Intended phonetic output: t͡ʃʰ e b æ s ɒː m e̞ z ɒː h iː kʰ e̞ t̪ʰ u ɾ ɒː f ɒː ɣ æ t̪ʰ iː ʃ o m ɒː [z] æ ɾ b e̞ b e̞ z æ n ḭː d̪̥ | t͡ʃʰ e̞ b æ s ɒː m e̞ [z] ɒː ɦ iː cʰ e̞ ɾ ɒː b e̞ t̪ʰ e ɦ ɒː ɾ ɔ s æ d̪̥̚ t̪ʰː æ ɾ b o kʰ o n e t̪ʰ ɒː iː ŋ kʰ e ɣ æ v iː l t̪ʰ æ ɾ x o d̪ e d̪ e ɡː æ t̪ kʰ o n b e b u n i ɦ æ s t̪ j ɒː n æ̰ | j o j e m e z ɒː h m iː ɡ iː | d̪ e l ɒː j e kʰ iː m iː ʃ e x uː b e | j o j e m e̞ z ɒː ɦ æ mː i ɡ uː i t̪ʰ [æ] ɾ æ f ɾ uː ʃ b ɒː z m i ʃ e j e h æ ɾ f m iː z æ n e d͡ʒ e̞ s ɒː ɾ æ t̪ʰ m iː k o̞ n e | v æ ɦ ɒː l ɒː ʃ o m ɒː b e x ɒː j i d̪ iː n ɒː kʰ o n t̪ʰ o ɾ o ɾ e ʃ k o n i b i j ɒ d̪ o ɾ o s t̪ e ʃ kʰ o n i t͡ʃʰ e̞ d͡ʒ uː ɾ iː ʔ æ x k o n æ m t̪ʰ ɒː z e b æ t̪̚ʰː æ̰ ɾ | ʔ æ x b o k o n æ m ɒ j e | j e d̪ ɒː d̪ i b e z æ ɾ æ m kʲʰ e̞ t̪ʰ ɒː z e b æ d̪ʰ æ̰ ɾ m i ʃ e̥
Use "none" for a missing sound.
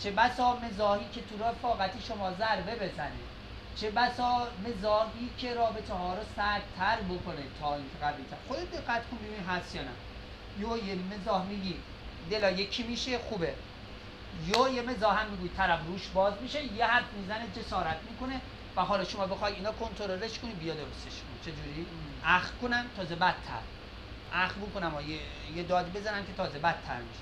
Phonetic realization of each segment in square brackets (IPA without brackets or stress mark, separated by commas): z, z, æ